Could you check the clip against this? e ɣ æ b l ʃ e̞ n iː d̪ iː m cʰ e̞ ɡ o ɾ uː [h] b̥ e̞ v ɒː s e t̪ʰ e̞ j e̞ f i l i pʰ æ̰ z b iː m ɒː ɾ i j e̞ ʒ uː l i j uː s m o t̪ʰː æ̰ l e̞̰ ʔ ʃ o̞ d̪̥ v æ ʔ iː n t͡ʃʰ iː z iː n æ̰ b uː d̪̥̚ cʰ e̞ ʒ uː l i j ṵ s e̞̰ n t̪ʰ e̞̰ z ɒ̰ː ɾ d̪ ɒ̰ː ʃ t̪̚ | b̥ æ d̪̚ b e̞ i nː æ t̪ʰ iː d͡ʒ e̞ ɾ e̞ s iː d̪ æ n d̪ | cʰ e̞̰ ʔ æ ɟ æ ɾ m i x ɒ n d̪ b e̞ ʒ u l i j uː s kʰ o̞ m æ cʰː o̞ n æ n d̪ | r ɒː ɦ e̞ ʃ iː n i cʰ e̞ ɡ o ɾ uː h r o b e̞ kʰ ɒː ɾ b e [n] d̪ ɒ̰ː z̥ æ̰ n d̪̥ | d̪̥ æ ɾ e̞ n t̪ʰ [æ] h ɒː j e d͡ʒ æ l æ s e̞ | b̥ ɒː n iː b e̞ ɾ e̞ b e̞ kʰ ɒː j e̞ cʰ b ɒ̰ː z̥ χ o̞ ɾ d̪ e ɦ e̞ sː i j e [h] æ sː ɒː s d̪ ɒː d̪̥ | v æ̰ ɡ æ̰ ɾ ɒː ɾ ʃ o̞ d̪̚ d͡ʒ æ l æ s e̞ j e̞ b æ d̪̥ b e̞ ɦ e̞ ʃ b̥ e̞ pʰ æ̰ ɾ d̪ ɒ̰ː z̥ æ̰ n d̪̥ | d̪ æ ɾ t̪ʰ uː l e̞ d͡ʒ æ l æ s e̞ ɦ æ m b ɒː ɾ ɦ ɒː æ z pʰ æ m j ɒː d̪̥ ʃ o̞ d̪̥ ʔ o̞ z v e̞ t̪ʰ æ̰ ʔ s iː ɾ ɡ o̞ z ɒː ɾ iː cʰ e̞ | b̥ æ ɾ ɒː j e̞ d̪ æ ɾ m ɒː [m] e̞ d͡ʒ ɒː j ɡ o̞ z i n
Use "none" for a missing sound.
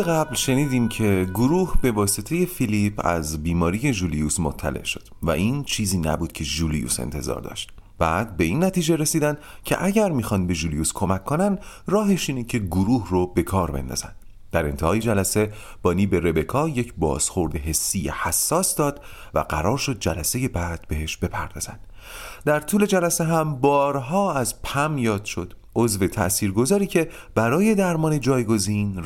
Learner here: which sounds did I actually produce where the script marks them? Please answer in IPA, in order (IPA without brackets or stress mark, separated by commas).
h, n, e, h, n